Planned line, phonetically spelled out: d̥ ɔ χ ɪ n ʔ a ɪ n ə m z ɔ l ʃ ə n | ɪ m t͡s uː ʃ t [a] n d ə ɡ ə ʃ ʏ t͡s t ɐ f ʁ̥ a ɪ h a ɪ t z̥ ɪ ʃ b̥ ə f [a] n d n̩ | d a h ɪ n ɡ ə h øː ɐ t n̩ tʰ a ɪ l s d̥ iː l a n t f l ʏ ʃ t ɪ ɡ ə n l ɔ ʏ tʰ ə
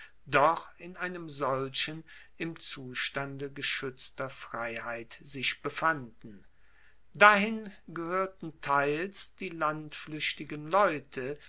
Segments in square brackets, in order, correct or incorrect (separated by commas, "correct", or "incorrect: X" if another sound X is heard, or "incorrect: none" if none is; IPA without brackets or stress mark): correct, correct